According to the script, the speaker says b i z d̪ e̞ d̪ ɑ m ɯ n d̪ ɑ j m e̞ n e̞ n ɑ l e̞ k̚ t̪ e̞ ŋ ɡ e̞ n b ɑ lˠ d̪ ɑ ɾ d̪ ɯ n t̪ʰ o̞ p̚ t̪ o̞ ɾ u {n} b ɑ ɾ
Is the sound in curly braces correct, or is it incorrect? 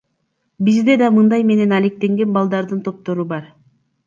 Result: incorrect